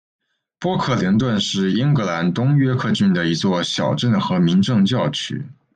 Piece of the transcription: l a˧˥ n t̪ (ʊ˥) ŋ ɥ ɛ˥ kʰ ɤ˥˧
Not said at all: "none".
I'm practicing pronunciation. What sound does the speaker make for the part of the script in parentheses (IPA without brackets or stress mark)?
ʊ˥